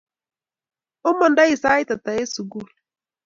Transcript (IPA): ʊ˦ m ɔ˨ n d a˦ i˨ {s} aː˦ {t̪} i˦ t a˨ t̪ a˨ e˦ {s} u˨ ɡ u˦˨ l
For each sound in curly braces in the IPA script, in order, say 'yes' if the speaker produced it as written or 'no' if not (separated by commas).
yes, no, yes